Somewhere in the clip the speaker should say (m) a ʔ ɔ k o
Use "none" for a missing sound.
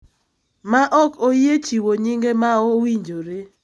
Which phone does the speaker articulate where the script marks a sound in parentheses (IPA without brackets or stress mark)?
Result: m